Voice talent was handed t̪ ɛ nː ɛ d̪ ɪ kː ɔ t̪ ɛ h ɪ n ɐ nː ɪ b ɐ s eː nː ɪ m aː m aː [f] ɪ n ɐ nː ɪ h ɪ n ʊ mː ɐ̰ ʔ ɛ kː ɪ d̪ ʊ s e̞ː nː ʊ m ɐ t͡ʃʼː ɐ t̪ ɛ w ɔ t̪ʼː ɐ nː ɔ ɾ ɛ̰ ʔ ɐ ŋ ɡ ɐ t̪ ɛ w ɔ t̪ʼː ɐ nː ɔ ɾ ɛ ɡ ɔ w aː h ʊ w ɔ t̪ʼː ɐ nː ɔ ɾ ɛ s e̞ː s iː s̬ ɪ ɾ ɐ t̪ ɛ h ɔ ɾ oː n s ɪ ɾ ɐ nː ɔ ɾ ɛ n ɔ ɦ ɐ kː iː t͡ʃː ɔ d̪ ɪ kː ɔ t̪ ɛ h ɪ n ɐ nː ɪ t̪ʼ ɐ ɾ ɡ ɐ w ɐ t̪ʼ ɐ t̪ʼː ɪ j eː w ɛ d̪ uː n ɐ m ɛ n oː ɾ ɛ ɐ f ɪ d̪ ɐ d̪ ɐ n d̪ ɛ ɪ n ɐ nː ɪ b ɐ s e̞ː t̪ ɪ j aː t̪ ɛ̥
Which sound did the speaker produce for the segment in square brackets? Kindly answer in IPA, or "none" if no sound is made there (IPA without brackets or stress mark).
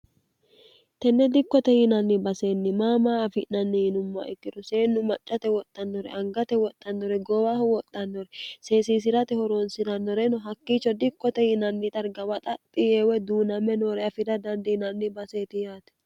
f